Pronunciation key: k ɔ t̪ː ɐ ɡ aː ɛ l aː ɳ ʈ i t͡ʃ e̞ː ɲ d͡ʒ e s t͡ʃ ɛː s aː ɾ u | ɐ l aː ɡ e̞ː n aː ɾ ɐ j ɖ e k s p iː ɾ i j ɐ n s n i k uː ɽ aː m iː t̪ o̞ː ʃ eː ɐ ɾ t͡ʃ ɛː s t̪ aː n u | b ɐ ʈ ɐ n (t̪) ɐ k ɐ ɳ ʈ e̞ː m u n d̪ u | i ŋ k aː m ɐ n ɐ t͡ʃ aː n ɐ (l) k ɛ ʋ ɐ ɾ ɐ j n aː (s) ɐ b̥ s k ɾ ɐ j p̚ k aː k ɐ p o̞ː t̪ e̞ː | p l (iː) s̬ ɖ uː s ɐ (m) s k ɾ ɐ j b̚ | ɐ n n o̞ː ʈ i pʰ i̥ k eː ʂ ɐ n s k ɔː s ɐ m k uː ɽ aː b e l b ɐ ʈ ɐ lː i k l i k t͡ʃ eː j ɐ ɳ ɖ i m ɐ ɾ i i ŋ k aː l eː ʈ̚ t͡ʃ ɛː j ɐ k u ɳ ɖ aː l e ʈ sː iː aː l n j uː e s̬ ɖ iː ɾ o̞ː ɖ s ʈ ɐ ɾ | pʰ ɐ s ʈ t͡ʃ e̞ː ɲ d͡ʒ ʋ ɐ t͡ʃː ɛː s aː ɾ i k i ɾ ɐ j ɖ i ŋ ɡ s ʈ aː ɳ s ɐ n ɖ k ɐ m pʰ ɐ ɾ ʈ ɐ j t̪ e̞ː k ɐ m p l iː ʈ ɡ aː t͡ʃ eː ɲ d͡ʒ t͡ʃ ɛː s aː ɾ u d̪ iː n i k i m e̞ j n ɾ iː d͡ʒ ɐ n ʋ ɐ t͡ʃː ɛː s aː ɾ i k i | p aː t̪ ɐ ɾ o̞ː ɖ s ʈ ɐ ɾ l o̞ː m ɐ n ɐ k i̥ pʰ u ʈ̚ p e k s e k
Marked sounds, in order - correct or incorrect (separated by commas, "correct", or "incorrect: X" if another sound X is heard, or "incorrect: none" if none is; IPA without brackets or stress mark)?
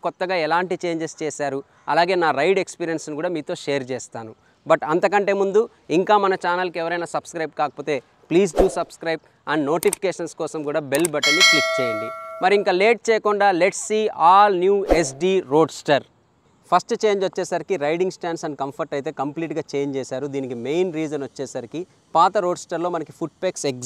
correct, correct, correct, correct, incorrect: b